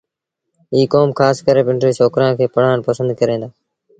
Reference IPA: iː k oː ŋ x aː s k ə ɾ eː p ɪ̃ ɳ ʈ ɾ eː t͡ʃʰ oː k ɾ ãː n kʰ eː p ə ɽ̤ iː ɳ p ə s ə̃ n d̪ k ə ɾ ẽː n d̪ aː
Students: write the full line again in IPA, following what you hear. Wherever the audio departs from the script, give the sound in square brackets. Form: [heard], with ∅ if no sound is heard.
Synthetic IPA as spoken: iː k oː [m] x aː s k ə ɾ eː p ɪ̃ ɳ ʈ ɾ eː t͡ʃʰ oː k ɾ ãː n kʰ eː p ə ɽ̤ [aː] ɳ p ə s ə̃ n d̪ k ə ɾ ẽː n d̪ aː